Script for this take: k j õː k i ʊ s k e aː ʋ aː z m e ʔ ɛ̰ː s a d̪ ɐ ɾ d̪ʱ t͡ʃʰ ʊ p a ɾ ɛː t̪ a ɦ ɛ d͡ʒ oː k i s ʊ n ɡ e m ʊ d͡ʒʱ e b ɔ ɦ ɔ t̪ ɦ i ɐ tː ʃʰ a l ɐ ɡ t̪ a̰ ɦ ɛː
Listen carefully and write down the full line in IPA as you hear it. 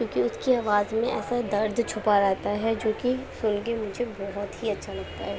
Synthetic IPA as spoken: k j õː k i ʊ s k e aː ʋ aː z m ẽ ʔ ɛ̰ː s a d̪ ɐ ɾ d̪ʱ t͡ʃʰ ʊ p a ɾ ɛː t̪ a ɦ ɛ d͡ʒ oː k i s ʊ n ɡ e m ʊ d͡ʒʱ e b ɔ ɦ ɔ t̪ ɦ i ɐ tː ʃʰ a l ɐ ɡ t̪ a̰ ɦ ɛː